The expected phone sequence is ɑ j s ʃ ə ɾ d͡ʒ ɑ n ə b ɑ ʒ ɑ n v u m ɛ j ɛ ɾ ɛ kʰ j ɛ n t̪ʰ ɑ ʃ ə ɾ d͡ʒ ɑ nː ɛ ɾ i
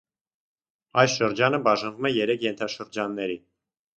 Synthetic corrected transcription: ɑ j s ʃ ə ɾ d͡ʒ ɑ n ə b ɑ ʒ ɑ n v u m ɛ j ɛ ɾ ɛ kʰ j ɛ n t̪ʰ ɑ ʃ ə ɾ d͡ʒ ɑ nː ɛ ɾ i